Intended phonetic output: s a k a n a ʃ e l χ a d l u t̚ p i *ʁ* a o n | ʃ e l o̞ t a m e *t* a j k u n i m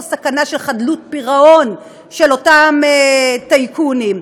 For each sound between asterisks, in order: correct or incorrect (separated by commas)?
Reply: correct, correct